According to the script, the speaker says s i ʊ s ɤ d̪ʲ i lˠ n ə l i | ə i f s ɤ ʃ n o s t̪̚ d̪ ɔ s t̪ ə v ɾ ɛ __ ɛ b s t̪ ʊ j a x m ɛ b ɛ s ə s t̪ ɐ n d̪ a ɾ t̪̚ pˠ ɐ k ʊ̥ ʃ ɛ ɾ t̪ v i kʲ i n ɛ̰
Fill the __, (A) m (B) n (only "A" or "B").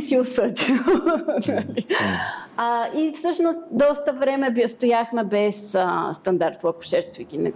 A